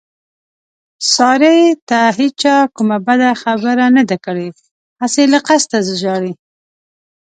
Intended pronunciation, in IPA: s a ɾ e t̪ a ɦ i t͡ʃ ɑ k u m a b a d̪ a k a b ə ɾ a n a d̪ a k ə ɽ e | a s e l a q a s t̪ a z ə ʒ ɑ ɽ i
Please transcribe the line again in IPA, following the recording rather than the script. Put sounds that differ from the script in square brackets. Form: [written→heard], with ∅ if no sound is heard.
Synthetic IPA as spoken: s [a→ɑ] ɾ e t̪ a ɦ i t͡ʃ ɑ k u m a b a d̪ a [k→x] a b ə ɾ a n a d̪ a k ə ɽ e | a s e l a q a s t̪ a z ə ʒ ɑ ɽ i